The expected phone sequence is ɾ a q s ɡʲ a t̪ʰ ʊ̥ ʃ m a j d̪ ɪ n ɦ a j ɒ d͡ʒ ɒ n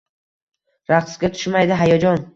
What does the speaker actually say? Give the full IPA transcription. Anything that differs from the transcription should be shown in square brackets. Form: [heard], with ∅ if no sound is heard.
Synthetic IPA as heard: ɾ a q s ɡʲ a t̪ʰ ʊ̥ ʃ m a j d̪ ɪ [∅] ɦ a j ɒ d͡ʒ ɒ n